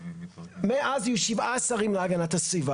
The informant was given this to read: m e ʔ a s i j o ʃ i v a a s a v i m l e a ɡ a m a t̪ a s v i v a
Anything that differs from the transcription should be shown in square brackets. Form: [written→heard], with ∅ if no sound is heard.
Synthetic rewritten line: m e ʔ a [s→z] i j [o→u] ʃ i v a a s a [v→ʁ] i m l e a ɡ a [m→n] a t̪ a s v i v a